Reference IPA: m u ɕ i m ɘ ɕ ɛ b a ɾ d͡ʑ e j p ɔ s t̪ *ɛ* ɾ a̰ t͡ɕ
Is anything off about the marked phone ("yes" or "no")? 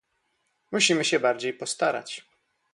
yes